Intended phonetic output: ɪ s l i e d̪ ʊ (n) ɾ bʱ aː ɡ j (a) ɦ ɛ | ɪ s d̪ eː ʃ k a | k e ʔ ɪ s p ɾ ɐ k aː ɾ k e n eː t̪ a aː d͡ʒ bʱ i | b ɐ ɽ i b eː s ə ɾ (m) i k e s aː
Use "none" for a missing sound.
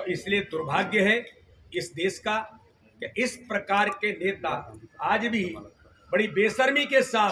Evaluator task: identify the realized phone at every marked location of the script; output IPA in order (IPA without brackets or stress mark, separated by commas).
none, ə, m